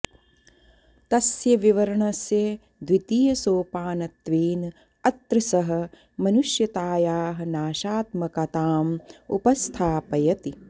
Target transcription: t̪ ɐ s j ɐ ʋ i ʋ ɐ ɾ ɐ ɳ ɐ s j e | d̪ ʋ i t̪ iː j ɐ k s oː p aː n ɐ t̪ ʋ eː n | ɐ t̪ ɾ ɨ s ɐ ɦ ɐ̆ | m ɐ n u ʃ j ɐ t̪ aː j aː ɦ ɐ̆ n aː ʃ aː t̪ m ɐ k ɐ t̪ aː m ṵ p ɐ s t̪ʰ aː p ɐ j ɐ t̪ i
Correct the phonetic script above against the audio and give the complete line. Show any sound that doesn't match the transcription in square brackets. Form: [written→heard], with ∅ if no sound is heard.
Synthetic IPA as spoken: t̪ ɐ s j ɐ ʋ i ʋ ɐ ɾ ɐ ɳ ɐ s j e | d̪ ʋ i t̪ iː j ɐ [k→∅] s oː p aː n ɐ t̪ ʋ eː n | ɐ t̪ ɾ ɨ s ɐ ɦ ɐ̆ | m ɐ n u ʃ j ɐ t̪ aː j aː ɦ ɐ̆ n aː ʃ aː t̪ m ɐ k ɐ t̪ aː m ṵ p ɐ s t̪ʰ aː p ɐ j ɐ t̪ i